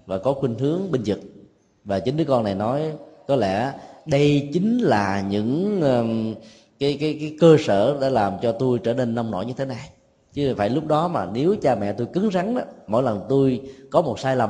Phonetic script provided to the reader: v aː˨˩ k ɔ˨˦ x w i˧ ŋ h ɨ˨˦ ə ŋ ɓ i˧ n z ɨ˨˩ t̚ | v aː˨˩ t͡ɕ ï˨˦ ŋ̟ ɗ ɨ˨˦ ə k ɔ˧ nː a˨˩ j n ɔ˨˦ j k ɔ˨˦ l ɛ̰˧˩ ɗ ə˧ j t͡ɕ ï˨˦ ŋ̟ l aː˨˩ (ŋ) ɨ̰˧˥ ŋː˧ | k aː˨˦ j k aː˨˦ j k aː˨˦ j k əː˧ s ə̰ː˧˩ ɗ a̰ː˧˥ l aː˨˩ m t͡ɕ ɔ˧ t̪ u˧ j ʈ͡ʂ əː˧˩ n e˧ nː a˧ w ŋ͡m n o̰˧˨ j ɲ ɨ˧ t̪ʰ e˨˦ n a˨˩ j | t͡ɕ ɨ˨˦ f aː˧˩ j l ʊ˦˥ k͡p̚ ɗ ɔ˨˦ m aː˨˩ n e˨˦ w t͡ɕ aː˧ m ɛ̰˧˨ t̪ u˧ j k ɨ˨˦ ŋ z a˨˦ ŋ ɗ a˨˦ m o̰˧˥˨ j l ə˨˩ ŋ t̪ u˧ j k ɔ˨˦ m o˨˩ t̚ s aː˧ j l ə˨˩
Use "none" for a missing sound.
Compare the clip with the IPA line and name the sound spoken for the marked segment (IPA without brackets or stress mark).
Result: ɲ